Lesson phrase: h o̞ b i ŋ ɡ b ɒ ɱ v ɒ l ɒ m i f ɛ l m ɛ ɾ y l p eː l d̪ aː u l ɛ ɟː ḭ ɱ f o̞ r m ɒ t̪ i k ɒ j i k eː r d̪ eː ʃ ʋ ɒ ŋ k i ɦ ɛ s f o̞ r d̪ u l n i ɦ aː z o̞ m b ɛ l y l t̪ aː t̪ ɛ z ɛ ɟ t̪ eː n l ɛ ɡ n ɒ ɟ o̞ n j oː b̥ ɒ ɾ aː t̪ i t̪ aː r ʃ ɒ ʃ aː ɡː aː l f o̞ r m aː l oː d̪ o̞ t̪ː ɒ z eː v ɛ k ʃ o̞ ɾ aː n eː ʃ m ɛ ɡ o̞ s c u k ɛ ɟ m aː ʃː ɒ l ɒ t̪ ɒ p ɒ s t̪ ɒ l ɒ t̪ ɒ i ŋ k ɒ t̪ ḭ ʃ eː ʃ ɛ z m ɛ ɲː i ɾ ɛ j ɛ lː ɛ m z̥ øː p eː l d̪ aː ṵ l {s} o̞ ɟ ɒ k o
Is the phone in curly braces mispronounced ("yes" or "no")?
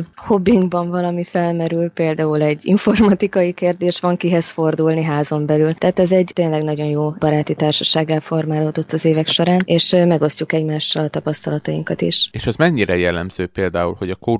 yes